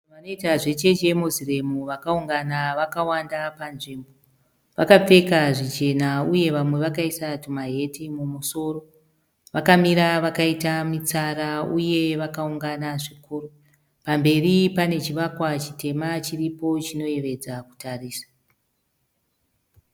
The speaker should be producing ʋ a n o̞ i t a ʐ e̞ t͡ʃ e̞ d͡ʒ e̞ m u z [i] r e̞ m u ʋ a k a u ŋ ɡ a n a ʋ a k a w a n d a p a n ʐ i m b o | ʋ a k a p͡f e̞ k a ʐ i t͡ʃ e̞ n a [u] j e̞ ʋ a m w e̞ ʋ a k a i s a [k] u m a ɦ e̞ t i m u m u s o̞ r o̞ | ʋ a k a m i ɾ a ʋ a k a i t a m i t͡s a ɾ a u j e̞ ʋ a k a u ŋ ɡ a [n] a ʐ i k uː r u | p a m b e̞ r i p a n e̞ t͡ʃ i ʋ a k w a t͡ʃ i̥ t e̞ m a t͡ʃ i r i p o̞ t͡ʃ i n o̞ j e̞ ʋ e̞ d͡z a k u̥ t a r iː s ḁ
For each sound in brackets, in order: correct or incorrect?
correct, correct, incorrect: t, correct

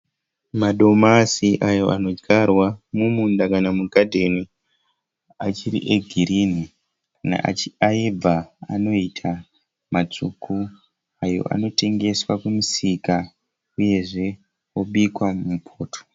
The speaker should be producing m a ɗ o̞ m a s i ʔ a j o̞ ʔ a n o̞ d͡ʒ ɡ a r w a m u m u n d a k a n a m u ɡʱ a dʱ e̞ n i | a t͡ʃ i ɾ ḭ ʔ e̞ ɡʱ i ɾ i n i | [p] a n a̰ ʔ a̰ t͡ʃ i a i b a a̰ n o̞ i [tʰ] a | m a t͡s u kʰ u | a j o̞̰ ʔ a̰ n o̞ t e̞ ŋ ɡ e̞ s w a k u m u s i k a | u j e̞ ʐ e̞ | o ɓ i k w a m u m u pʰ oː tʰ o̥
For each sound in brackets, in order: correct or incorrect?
incorrect: k, correct

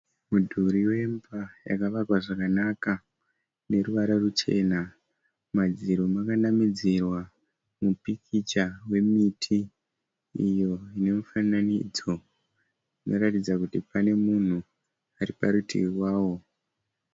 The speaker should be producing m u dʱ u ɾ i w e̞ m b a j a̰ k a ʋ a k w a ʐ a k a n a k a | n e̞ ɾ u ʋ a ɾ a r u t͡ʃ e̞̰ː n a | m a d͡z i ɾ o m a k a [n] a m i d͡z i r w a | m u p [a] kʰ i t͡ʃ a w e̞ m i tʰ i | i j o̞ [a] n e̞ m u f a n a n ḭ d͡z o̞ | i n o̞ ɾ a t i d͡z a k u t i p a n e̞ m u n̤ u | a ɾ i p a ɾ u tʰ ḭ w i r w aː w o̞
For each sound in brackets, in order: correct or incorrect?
correct, incorrect: i, incorrect: i

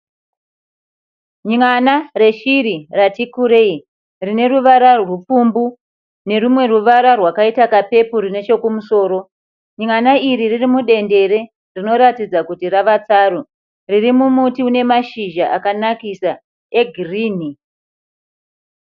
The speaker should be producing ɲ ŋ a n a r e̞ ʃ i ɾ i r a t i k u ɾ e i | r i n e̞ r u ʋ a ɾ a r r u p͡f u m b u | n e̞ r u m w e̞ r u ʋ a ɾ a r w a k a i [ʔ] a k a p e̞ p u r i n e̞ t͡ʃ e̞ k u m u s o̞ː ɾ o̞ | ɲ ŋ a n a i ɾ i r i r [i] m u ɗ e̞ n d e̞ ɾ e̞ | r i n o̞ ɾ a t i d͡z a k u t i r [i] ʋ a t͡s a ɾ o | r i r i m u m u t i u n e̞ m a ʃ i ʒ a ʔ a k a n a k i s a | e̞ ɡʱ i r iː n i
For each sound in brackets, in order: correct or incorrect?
incorrect: t, correct, incorrect: a

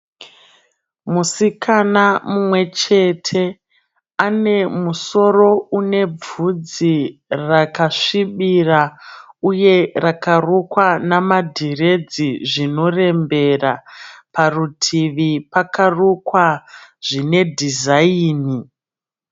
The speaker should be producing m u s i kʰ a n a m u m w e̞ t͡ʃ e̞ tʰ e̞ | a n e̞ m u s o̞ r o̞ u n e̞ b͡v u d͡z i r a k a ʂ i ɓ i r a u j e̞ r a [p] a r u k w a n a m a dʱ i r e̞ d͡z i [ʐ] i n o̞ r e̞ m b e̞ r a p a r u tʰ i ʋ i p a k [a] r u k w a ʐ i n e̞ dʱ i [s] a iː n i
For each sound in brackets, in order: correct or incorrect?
incorrect: k, correct, correct, incorrect: z

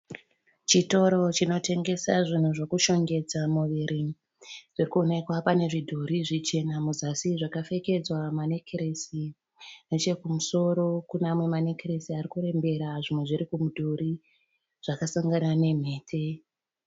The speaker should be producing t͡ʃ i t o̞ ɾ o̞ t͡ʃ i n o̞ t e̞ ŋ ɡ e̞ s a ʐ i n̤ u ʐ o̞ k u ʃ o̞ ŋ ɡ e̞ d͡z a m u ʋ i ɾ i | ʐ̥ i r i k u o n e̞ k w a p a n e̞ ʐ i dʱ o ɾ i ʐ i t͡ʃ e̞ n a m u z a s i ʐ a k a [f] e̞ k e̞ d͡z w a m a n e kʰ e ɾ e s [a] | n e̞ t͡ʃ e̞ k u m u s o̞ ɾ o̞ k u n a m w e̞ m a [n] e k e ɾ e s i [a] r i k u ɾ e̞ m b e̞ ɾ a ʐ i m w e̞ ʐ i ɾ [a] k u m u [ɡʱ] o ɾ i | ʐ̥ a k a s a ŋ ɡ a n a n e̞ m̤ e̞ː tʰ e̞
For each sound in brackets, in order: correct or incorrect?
correct, incorrect: i, correct, correct, incorrect: i, incorrect: dʱ

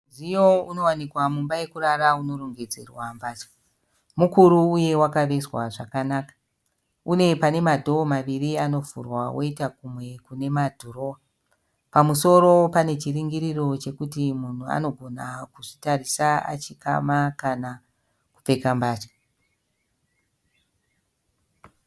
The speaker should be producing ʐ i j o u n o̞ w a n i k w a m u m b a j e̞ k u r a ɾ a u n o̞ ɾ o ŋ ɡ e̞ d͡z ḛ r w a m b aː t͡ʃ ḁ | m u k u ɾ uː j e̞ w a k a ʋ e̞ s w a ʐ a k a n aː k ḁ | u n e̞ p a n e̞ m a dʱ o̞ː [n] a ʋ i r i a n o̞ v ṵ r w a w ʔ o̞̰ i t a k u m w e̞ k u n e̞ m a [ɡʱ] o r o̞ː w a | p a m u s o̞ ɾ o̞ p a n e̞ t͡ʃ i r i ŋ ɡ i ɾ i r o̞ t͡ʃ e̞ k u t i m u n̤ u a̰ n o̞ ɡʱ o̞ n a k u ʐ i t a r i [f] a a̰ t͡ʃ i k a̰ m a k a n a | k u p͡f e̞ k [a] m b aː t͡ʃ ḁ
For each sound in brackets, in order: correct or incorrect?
incorrect: m, incorrect: dʱ, incorrect: s, correct

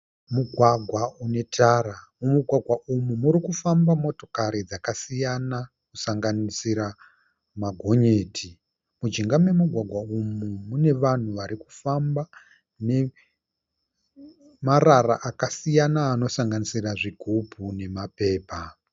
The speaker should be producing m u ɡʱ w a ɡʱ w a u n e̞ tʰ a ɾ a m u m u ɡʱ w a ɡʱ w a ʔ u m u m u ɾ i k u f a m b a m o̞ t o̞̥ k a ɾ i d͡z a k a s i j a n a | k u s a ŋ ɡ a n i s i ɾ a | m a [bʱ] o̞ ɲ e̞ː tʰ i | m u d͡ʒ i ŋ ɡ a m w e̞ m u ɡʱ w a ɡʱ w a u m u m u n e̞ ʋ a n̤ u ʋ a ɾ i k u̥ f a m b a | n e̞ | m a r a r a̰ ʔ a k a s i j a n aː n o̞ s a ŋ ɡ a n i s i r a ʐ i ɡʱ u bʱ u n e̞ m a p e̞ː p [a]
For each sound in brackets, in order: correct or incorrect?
incorrect: ɡʱ, correct

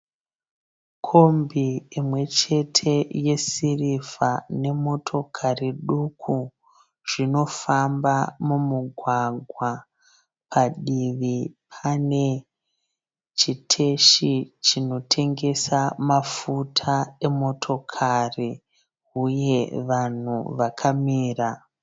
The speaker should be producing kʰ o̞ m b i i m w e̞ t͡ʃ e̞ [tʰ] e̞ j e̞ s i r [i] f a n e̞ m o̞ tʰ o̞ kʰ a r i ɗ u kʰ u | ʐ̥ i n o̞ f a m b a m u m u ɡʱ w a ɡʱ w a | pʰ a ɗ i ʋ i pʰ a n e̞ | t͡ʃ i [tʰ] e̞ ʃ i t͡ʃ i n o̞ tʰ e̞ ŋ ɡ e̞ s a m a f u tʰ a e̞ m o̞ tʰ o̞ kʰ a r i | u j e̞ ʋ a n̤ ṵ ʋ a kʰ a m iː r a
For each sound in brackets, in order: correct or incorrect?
correct, correct, correct

